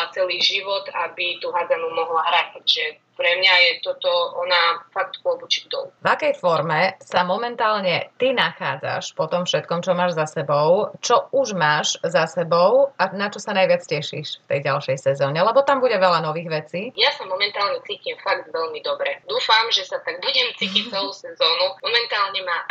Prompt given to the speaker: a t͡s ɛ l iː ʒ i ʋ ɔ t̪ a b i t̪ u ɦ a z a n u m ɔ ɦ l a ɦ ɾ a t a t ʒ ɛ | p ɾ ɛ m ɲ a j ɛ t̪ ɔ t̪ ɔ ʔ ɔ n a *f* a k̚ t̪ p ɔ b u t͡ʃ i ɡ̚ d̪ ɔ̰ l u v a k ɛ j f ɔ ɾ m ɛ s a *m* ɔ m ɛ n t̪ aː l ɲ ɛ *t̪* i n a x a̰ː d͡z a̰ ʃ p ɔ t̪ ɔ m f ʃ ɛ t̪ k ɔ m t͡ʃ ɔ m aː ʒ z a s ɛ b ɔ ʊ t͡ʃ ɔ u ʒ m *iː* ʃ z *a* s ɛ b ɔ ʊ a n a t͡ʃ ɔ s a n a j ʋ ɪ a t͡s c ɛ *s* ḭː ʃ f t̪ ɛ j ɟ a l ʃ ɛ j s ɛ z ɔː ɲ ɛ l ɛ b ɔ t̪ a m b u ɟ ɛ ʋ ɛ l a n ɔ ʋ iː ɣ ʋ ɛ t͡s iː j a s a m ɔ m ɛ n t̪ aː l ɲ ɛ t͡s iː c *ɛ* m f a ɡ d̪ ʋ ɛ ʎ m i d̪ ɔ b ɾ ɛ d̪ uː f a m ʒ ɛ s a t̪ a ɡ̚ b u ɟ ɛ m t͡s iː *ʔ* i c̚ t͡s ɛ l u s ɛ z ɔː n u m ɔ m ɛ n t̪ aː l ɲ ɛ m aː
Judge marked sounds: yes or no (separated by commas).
yes, yes, yes, no, yes, no, no, no